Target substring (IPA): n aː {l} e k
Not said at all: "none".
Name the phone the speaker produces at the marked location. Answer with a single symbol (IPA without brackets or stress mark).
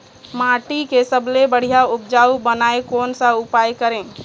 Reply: none